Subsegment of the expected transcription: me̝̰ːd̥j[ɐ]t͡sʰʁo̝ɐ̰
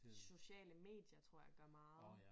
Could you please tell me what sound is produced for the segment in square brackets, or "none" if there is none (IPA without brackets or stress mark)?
ɐ